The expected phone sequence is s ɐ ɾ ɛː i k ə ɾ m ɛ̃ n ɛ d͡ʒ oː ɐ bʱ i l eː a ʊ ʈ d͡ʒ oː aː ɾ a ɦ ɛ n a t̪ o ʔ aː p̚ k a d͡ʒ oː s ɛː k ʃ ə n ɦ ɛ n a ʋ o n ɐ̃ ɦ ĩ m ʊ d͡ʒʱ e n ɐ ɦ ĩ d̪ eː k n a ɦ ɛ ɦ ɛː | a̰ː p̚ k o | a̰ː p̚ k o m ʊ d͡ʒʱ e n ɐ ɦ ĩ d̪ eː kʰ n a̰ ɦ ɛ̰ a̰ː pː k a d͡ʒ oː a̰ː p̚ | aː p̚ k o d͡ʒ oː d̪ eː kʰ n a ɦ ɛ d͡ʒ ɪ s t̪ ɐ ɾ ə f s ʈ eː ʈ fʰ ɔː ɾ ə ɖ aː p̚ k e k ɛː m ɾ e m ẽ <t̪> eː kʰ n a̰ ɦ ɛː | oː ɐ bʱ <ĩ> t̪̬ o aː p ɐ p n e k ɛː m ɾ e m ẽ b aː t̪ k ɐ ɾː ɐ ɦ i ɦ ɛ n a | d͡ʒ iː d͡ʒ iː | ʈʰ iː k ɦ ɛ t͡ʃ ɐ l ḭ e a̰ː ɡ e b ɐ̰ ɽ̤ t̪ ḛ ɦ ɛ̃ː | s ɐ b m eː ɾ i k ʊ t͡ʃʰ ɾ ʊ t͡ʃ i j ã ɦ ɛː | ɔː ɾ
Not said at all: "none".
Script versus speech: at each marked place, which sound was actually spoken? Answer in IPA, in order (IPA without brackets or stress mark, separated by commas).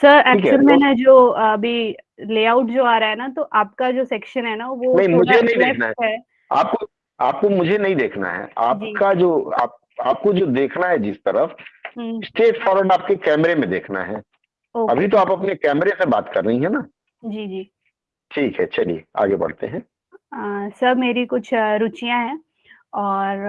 d̪, i